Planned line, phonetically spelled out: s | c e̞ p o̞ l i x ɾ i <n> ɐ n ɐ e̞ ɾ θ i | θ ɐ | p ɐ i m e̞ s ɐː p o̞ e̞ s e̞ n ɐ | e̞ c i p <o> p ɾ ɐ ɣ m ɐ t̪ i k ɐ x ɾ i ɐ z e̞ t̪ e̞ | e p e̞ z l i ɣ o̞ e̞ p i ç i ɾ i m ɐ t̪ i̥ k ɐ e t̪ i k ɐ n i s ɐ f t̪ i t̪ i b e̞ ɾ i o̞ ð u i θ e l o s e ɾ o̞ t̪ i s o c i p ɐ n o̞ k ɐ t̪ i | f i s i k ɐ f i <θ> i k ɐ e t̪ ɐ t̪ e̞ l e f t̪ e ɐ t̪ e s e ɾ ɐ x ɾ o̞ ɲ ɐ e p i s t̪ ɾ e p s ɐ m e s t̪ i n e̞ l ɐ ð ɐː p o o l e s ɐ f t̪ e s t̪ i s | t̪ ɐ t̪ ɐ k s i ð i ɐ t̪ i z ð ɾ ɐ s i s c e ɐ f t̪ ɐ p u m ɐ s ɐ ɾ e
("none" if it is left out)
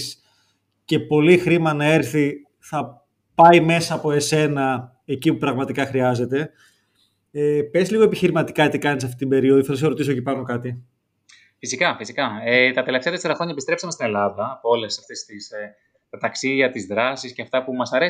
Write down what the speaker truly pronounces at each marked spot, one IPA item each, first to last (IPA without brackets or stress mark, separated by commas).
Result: m, u, s